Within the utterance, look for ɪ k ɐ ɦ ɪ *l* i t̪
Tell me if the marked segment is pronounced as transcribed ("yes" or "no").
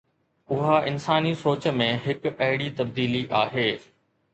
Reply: no